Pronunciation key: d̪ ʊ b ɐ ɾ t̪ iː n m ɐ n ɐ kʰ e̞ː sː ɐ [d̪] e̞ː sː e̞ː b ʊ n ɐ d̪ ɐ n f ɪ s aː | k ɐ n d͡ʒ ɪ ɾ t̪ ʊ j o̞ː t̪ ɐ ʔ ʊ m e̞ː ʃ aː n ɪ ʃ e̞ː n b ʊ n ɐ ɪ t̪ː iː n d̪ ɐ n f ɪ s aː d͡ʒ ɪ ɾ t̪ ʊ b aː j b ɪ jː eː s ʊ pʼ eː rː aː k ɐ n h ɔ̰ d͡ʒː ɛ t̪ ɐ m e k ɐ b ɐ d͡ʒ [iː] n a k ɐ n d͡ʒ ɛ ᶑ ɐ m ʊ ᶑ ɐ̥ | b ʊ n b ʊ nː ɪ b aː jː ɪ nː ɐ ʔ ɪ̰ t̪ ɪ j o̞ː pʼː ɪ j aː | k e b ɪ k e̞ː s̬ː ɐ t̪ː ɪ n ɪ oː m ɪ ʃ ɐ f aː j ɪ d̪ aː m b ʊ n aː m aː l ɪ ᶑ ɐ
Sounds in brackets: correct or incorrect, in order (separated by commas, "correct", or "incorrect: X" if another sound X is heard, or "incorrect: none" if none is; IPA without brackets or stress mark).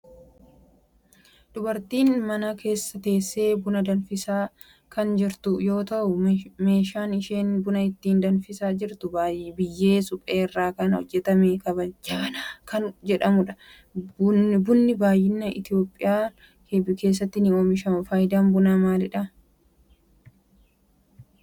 incorrect: t̪, incorrect: aː